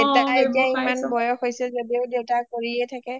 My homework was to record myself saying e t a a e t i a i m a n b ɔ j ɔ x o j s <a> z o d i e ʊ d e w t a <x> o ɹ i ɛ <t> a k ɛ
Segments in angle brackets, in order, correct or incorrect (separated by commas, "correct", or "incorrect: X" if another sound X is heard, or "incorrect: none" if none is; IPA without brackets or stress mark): incorrect: ɛ, incorrect: k, incorrect: tʰ